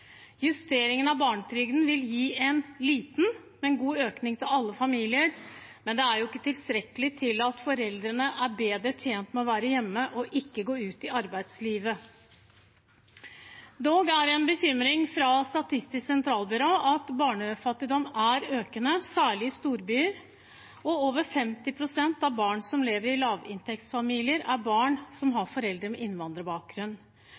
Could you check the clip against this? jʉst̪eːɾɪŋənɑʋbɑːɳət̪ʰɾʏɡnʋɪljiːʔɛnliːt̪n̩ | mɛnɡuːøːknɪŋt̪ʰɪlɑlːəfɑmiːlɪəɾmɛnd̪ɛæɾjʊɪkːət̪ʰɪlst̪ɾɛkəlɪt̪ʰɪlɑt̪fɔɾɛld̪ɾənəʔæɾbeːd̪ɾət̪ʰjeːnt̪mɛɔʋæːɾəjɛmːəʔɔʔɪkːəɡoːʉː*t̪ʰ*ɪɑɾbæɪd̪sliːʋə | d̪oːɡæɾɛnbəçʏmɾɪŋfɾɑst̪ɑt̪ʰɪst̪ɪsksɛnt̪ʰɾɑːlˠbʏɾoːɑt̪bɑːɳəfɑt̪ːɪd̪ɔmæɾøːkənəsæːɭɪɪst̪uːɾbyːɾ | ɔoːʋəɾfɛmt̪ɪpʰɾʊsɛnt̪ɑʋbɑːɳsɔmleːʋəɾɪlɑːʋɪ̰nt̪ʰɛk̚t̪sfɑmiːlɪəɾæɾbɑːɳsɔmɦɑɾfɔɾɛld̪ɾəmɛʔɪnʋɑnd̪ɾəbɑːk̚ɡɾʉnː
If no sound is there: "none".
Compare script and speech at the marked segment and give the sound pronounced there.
t̪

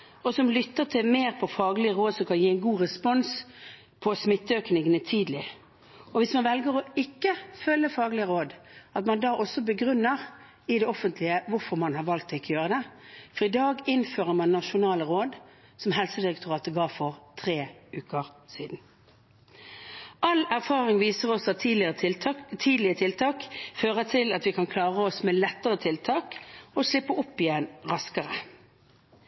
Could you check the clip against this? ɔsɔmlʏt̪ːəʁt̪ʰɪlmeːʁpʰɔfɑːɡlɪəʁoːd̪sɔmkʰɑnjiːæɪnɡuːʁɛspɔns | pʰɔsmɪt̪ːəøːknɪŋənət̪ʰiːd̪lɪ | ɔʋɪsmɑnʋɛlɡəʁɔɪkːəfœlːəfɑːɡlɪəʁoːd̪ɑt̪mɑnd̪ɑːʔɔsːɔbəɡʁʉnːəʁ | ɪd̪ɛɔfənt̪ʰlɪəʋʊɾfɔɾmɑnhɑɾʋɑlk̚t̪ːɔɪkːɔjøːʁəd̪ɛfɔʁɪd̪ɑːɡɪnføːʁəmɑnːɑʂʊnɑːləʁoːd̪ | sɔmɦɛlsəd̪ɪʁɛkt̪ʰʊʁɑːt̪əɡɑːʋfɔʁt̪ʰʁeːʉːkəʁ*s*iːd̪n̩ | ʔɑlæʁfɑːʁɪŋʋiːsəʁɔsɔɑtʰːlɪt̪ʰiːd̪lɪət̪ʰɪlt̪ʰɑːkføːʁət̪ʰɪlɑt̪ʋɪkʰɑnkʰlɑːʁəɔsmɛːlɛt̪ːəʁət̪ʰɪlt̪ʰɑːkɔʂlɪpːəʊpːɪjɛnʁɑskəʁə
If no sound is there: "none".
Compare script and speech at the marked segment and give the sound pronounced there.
s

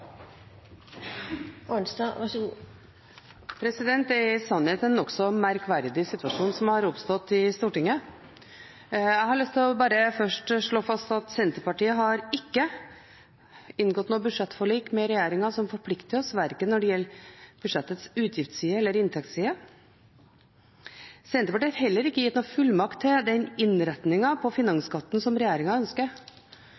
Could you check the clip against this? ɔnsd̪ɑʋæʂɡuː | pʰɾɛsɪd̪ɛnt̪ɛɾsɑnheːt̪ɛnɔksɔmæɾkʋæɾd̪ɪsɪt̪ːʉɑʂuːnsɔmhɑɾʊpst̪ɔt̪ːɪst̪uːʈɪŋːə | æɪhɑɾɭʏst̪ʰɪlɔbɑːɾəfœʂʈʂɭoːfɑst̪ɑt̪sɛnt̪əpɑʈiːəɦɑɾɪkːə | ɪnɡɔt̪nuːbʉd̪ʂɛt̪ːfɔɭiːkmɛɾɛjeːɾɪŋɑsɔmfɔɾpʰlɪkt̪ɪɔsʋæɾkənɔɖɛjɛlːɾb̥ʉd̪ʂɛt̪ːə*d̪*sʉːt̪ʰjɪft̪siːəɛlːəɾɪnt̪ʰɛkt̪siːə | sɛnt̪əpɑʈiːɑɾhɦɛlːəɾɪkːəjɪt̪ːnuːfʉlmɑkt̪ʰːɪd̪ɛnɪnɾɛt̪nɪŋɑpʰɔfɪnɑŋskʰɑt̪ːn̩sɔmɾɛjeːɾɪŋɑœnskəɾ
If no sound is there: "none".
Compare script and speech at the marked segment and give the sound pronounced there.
t̪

